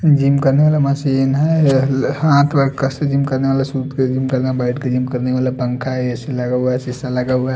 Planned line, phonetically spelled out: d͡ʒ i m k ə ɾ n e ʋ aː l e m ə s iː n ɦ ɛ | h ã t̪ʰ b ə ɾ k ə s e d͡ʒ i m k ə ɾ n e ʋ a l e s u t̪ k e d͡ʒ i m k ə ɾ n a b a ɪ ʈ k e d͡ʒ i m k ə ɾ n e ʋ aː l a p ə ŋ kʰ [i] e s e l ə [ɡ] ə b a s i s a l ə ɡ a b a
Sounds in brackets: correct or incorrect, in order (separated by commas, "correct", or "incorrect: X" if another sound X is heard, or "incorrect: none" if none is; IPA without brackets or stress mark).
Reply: incorrect: a, correct